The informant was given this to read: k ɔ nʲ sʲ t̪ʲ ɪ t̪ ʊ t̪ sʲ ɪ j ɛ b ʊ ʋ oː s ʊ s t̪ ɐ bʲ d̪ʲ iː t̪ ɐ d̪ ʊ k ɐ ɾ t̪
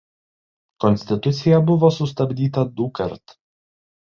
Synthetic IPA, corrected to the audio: k ɔ nʲ sʲ t̪ʲ ɪ t̪ ʊ t̪ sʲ ɪ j ɛ b ʊ ʋ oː s ʊ s t̪ ɐ bʲ d̪ʲ iː t̪ ɐ d̪ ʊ k ɐ ɾ t̪